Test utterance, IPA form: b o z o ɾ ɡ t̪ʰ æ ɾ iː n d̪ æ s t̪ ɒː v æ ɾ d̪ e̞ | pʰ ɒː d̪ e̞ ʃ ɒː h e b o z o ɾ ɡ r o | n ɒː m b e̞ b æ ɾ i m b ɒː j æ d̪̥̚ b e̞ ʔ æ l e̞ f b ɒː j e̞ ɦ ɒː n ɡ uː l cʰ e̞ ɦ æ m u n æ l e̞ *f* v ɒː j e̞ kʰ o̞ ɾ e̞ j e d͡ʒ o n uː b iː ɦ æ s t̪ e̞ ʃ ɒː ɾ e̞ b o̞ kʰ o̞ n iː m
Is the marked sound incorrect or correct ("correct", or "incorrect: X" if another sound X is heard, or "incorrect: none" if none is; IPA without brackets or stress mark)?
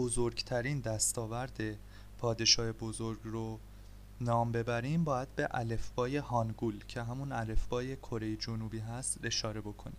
correct